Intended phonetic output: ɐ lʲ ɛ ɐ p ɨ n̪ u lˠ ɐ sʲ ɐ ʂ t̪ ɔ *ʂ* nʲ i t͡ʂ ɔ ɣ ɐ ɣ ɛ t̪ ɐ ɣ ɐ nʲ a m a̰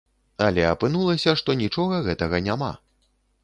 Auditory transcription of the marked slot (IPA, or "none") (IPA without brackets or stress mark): none